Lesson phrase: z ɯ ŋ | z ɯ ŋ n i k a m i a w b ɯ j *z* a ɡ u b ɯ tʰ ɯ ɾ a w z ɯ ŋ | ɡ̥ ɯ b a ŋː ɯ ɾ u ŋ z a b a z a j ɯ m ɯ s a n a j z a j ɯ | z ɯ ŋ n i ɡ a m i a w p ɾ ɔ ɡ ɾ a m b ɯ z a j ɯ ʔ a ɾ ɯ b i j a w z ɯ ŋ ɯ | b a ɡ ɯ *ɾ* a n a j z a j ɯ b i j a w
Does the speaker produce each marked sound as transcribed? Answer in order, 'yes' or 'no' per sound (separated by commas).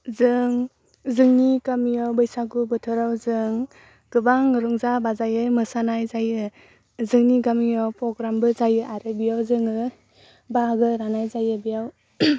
no, yes